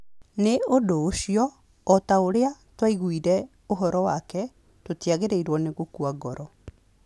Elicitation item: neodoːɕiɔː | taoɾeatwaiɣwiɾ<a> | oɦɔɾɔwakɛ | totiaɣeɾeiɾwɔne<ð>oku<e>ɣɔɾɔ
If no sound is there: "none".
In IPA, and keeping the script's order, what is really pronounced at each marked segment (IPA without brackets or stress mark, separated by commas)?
ɛ, ɣ, a